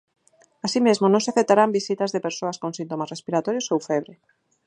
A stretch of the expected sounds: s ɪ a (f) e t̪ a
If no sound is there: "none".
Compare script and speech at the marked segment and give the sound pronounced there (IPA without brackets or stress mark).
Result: f